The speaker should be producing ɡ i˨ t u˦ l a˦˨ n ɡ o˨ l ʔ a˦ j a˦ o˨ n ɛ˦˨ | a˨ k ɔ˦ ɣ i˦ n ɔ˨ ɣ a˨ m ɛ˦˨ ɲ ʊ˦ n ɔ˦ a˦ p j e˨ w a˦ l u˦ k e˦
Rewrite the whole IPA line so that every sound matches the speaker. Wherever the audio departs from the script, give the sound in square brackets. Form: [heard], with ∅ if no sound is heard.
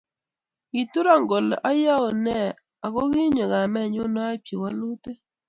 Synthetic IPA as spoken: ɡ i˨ t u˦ [ɾ] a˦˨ [ŋ] ɡ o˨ l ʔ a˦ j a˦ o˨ n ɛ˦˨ | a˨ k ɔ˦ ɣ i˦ [ɲ] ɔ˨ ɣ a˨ m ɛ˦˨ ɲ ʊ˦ n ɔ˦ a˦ p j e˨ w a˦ l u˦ [t] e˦